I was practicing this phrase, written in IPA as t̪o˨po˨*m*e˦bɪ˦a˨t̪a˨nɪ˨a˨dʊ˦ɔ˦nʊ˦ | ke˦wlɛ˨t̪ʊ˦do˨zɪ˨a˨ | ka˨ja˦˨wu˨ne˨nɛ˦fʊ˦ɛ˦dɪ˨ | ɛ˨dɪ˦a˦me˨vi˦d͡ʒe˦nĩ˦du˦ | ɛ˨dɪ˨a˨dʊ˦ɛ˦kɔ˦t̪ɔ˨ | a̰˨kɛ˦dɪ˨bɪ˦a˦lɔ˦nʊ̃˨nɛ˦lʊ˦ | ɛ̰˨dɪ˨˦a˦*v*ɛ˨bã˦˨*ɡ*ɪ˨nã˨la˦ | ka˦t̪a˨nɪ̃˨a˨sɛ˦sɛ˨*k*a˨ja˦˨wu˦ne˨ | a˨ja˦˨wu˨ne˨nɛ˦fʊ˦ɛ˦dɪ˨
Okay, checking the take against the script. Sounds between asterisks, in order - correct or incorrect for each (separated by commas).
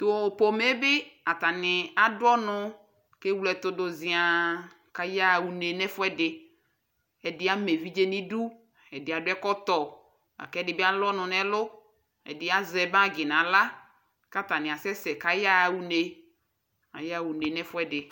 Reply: correct, incorrect, correct, correct